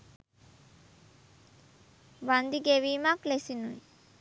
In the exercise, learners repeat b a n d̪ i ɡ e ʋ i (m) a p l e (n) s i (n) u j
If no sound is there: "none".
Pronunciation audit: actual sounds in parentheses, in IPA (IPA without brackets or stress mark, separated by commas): m, none, n